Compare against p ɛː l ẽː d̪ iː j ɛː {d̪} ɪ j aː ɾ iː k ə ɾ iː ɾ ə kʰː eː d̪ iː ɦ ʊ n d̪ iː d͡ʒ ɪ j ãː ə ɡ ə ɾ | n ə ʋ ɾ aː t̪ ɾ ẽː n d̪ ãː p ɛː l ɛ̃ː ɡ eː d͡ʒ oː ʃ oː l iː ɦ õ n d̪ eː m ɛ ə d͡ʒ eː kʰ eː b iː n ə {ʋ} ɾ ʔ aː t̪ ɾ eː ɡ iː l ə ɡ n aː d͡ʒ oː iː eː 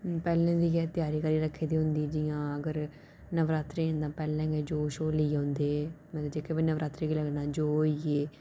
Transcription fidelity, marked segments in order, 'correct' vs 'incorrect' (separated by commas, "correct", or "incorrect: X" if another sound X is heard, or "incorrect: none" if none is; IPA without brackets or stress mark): incorrect: t̪, correct